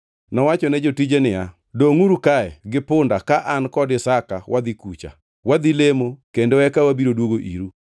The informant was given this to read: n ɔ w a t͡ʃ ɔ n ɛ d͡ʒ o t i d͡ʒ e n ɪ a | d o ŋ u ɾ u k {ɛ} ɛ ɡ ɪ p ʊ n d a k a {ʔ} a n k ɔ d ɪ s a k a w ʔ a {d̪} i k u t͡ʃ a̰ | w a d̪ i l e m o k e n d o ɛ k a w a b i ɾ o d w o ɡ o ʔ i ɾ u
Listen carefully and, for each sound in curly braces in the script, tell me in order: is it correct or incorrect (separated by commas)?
incorrect, correct, correct